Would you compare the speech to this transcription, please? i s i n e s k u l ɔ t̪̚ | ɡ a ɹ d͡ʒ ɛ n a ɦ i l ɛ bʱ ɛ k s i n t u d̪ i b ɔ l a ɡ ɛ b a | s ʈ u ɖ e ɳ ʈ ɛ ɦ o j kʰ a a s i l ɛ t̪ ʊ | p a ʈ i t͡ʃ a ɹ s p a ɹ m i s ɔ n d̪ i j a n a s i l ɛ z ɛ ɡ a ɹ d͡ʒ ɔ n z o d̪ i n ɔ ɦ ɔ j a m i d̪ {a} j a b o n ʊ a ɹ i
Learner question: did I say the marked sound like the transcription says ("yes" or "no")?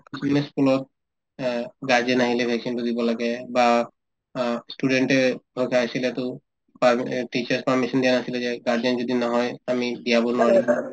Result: no